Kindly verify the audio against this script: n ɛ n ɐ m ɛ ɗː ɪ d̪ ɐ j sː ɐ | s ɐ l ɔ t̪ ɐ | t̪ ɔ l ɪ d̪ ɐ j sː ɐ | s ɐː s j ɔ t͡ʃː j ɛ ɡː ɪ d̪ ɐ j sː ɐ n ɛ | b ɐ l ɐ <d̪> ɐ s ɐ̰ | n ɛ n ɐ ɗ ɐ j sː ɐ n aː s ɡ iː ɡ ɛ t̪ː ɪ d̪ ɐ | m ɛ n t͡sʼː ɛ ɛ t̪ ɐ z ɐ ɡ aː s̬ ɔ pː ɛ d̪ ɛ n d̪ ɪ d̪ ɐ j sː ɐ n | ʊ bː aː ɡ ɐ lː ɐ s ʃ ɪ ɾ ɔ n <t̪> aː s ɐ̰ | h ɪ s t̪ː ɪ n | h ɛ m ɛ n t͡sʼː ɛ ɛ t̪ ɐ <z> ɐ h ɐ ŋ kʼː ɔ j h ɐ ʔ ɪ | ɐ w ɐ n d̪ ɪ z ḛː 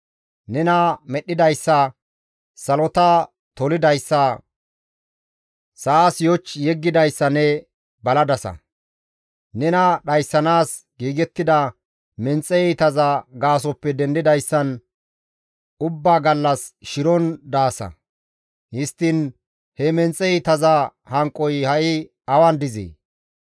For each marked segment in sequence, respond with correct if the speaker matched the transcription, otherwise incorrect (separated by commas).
correct, incorrect, correct